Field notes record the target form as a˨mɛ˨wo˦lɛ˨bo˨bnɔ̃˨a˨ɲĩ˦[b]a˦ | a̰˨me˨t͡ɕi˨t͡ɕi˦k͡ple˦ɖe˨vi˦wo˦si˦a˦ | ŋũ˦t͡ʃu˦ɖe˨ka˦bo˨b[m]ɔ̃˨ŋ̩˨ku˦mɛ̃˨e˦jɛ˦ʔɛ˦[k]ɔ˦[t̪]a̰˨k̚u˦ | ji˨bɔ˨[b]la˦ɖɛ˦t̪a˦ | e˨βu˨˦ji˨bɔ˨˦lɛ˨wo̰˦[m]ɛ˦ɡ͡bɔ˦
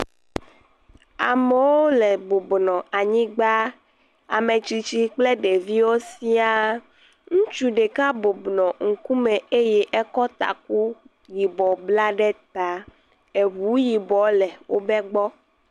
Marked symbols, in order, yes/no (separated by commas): no, no, yes, yes, yes, no